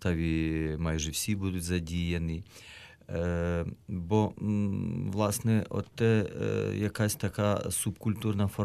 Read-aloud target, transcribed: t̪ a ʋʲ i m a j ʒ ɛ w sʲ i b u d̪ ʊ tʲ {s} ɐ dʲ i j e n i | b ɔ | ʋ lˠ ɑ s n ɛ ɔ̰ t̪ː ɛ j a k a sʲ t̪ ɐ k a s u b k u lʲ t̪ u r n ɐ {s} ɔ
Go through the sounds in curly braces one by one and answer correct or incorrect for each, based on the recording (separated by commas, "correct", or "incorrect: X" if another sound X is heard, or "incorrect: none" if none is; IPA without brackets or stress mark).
incorrect: z, incorrect: f